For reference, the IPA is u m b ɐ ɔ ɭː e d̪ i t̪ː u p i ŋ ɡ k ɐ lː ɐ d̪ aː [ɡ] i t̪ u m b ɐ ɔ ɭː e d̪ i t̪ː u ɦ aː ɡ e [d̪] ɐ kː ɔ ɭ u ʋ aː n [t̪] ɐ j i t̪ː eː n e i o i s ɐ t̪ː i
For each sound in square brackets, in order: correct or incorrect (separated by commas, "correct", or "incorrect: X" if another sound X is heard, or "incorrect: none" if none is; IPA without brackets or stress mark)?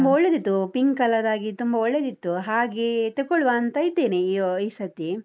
correct, incorrect: t̪, correct